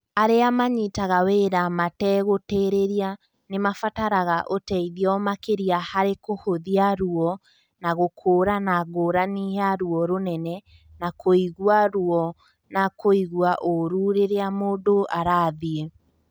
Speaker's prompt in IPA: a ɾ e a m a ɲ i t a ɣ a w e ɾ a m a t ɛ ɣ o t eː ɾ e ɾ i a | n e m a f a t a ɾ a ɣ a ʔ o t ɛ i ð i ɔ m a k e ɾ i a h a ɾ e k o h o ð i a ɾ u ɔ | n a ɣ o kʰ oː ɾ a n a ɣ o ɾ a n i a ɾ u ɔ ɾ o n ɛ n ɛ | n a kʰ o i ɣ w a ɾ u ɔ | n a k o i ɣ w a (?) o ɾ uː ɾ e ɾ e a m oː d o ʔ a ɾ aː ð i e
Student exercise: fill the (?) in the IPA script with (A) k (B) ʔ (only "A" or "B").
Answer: B